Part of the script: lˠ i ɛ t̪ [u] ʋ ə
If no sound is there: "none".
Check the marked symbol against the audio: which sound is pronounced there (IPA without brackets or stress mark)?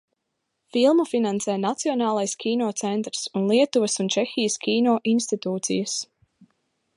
u